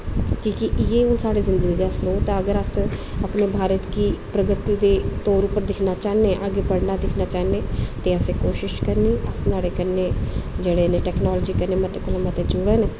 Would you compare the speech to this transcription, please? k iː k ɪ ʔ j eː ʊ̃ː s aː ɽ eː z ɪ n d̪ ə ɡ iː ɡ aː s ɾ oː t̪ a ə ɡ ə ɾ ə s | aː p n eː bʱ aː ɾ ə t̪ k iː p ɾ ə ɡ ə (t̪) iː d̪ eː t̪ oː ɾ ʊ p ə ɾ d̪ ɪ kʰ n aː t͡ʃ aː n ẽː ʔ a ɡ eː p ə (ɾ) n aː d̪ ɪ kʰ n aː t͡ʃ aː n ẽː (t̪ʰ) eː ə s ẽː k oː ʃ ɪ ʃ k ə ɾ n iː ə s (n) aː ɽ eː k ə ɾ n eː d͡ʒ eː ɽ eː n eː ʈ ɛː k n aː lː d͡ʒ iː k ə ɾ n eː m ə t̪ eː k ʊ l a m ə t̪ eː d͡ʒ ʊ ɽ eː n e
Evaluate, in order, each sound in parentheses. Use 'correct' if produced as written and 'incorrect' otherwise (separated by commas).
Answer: correct, incorrect, incorrect, correct